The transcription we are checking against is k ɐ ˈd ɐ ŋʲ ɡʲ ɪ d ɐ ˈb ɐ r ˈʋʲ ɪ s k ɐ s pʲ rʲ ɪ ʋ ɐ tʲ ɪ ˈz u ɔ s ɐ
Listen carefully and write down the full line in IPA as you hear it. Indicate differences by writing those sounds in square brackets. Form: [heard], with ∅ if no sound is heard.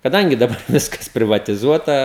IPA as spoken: k ɐ ˈd ɐ ŋʲ ɡʲ ɪ d ɐ ˈb ɐ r ˈʋʲ ɪ s k ɐ s pʲ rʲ ɪ ʋ ɐ tʲ ɪ ˈz u ɔ [t] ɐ